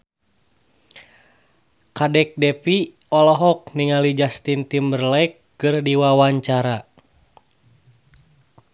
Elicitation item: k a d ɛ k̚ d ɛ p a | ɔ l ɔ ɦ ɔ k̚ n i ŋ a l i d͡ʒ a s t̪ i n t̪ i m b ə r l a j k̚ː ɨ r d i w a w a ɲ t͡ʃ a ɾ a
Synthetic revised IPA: k a d ɛ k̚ d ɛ p i | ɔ l ɔ ɦ ɔ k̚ n i ŋ a l i d͡ʒ a s t̪ i n t̪ i m b ə r l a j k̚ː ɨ r d i w a w a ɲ t͡ʃ a ɾ a